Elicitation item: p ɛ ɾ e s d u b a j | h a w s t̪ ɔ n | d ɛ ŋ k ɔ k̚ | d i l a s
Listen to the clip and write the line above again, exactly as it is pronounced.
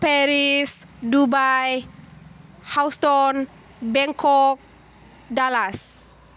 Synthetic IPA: p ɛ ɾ i s d u b a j | h a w s t̪ ɔ n | b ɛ ŋ k ɔ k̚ | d a l a s